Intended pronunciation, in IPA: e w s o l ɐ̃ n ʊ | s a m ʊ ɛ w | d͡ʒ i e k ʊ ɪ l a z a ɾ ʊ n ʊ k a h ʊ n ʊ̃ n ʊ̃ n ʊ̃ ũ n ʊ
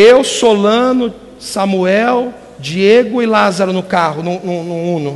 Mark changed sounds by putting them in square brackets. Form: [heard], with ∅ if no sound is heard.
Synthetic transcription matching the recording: e w s o l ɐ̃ n ʊ | s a m [u] ɛ w | d͡ʒ i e [ɡ] ʊ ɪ l a z a ɾ ʊ n ʊ k a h ʊ n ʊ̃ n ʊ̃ n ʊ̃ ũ n ʊ